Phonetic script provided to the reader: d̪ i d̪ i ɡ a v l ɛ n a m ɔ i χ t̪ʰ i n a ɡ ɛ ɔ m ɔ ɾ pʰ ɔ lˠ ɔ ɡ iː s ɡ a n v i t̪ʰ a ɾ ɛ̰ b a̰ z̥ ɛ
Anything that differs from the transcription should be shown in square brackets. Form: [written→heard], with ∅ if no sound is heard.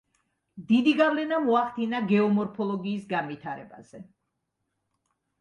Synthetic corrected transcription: d̪ i d̪ i ɡ a v l ɛ n a m ɔ [i→a] χ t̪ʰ i n a ɡ ɛ ɔ m ɔ ɾ pʰ ɔ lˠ ɔ ɡ iː s ɡ a n v i t̪ʰ a ɾ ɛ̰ b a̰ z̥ ɛ